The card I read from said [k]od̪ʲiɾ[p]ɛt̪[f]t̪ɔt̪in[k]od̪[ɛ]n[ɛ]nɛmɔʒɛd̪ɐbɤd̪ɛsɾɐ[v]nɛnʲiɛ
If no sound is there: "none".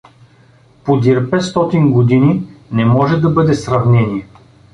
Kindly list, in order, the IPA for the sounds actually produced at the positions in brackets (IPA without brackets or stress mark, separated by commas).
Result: p, p, s, ɡ, i, i, v